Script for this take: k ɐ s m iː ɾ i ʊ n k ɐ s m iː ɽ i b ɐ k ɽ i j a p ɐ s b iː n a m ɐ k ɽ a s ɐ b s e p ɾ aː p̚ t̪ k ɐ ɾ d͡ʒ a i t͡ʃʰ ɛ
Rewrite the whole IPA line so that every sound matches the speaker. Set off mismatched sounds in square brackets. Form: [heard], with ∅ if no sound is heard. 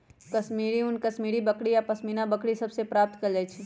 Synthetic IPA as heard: k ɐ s m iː ɾ i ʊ n k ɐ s m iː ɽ i b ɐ k ɽ i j a p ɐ s [m] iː n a [b] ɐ k ɽ [i] s ɐ b s e p ɾ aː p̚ t̪ k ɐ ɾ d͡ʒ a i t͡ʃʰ [i]